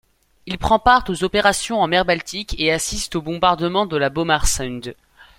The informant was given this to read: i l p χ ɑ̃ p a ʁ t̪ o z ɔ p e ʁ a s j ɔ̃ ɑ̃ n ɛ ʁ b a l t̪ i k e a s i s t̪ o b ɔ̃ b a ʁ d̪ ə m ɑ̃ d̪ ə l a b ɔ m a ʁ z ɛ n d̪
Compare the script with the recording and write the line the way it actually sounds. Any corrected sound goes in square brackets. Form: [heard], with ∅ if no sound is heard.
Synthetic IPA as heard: i l p χ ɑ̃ p a ʁ t̪ o z ɔ p e ʁ a s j ɔ̃ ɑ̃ [m] ɛ ʁ b a l t̪ i k e a s i s t̪ o b ɔ̃ b a ʁ d̪ ə m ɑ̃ d̪ ə l a b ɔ m a ʁ [s] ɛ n d̪